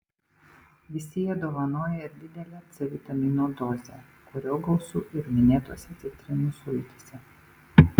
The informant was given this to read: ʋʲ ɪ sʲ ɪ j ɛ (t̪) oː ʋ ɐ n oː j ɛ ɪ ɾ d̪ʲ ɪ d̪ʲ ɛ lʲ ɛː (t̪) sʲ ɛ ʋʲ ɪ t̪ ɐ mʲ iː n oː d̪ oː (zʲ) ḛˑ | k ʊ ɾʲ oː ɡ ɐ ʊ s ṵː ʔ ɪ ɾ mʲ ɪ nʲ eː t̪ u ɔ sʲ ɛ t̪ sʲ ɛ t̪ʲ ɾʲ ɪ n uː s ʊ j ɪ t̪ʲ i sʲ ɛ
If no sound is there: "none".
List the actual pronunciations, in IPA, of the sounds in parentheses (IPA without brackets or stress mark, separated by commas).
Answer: d̪, t̪, zʲ